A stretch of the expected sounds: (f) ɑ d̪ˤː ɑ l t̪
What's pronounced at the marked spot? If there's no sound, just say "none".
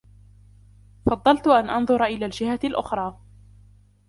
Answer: f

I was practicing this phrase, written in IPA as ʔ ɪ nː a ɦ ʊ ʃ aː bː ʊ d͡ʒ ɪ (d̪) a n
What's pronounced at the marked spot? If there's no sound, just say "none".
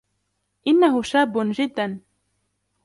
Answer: d̪ː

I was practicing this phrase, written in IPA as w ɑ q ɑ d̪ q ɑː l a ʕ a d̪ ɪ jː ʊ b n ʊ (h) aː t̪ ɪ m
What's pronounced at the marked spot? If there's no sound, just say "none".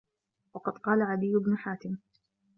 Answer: ħ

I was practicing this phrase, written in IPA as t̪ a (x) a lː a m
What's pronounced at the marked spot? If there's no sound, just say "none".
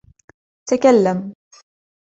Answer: k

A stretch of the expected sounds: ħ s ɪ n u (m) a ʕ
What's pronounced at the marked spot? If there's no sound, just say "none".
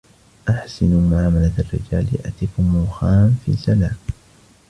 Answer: m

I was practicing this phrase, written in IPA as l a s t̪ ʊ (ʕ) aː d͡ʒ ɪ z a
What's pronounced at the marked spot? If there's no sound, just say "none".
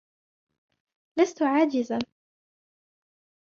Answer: ʕ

